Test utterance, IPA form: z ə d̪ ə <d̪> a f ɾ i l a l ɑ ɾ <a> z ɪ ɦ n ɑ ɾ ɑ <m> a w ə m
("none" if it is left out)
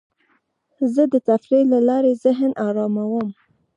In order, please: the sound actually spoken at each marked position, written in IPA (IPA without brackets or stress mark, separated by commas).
t̪, e, m